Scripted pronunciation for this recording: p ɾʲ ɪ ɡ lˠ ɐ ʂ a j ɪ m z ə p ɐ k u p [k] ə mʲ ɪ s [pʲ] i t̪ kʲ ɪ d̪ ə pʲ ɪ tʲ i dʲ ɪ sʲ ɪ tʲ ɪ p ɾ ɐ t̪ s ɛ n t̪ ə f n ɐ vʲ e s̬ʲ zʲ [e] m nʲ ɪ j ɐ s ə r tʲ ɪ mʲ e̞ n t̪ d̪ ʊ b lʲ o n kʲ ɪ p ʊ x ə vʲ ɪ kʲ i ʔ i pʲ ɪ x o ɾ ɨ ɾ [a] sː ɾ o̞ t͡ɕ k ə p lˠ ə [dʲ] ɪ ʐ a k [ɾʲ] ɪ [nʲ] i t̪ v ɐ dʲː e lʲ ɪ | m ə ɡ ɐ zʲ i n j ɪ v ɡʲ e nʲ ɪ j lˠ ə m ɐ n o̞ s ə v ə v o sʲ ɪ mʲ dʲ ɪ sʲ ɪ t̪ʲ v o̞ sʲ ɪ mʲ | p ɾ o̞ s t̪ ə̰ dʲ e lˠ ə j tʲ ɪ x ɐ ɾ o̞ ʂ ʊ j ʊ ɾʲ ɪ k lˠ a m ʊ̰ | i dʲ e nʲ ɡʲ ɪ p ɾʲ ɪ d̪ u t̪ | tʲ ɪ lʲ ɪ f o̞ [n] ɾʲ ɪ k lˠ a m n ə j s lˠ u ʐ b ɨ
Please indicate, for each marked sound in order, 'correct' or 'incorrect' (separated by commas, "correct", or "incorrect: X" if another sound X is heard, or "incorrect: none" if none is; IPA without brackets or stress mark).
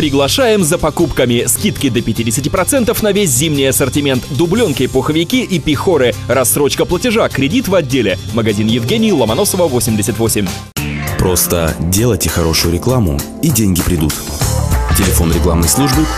correct, incorrect: kʲ, incorrect: i, incorrect: ɐ, incorrect: tʲ, correct, incorrect: dʲ, correct